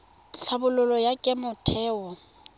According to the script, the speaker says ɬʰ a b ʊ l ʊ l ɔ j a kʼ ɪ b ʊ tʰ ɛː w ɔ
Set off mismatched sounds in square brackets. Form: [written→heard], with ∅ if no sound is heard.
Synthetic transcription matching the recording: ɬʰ a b ʊ l ʊ l ɔ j a kʼ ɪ [b→m] ʊ tʰ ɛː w ɔ